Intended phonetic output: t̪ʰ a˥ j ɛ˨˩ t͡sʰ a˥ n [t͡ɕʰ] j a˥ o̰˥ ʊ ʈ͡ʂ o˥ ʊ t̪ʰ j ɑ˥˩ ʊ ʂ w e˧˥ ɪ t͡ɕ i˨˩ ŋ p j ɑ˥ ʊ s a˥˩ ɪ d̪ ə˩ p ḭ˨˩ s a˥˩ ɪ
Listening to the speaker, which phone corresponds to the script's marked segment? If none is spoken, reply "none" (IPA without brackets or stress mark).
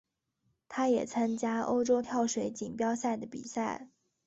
t͡ɕ